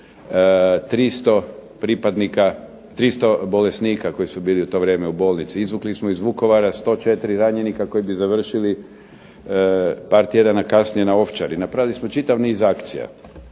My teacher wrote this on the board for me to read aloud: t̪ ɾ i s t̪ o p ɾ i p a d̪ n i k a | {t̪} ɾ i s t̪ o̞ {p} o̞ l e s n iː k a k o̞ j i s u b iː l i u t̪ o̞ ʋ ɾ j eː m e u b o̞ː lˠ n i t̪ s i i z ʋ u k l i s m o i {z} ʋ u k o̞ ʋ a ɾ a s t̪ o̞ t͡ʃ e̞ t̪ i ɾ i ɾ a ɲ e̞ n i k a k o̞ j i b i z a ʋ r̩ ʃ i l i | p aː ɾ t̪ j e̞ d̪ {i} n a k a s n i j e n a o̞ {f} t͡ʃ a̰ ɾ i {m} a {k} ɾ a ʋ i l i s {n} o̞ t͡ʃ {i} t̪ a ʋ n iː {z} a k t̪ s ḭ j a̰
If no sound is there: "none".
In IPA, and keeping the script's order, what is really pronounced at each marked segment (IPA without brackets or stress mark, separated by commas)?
t̪, b, z, a, f, n, p, m, i, z